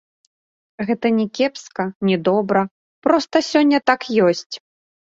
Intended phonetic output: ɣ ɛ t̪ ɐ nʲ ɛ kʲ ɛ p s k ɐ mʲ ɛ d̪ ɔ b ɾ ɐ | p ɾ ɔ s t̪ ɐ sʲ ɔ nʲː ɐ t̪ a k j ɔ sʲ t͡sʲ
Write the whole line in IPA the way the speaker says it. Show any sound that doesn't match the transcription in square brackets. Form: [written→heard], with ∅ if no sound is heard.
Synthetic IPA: ɣ ɛ t̪ ɐ nʲ ɛ kʲ ɛ p s k ɐ [mʲ→nʲ] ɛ d̪ ɔ b ɾ ɐ | p ɾ ɔ s t̪ ɐ sʲ ɔ nʲː ɐ t̪ a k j ɔ sʲ t͡sʲ